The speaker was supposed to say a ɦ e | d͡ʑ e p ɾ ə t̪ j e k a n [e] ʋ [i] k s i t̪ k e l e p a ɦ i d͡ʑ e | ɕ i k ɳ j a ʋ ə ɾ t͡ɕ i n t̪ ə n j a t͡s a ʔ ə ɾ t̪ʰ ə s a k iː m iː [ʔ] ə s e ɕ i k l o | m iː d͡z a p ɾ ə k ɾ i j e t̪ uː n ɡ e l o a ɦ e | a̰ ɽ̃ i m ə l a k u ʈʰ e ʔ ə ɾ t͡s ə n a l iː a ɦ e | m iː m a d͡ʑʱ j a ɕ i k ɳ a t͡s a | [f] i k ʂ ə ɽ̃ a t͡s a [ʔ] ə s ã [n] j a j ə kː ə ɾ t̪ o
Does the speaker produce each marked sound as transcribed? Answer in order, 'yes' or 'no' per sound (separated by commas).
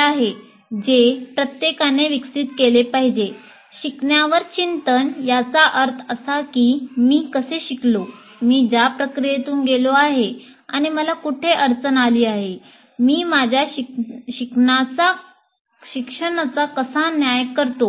yes, yes, no, no, no, yes